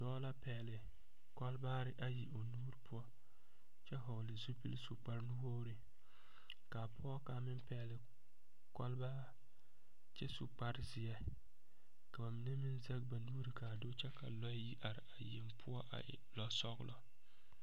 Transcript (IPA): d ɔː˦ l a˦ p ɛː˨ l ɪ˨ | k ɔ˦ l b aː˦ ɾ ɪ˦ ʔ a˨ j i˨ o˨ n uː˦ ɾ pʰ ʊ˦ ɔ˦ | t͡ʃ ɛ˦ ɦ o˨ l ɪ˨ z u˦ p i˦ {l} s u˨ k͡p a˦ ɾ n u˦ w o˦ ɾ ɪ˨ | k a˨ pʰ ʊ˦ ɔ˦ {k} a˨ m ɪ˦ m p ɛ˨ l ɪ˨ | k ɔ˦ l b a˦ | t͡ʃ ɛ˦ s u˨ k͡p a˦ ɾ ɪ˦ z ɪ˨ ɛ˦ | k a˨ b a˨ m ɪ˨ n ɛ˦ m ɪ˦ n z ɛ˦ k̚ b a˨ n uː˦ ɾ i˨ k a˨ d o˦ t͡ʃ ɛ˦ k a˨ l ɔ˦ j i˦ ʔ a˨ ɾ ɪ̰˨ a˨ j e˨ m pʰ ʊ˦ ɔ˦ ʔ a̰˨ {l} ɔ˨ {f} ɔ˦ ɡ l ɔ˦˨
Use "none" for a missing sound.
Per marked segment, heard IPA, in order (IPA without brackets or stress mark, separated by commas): l, k, l, s